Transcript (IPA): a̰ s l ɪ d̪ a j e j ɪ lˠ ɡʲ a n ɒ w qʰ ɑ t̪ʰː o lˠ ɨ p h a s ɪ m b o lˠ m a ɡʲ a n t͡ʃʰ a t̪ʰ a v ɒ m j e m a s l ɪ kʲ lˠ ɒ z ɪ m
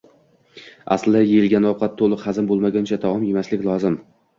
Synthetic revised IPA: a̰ s l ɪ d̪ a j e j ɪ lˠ ɡʲ a n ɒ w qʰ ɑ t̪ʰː o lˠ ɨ q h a z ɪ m b o lˠ m a ɡʲ a n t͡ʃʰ a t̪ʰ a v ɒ m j e m a s l ɪ kʲ lˠ ɒ z ɪ m